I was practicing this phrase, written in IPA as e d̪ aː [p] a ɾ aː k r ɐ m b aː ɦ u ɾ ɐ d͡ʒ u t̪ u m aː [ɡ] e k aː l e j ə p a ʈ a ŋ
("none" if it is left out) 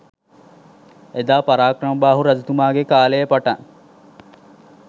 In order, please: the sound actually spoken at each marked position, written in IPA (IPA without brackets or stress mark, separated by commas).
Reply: p, ɡ